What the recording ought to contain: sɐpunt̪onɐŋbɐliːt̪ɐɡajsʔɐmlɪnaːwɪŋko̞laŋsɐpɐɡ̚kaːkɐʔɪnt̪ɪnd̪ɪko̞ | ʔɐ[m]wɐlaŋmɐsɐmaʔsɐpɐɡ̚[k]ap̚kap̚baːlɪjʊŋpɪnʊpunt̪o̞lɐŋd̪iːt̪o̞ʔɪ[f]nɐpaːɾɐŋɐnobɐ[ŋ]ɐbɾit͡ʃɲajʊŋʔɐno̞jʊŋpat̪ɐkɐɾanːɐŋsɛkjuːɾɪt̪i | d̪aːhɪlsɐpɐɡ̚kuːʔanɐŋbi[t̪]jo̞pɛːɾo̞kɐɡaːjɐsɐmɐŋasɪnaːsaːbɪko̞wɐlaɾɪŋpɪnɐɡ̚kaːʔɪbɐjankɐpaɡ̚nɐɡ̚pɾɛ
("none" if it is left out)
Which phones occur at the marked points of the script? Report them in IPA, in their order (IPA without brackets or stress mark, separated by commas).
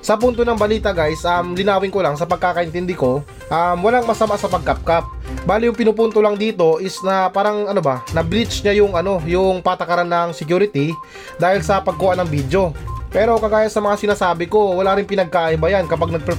m, k, s, n, d̪